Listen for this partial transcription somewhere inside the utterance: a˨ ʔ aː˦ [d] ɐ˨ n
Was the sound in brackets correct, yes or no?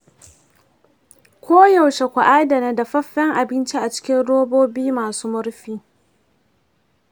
yes